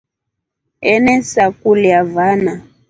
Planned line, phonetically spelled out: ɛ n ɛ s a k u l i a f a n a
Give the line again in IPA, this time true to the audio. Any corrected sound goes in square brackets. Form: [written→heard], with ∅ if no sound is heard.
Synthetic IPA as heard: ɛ n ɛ s a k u l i a [f→v] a n a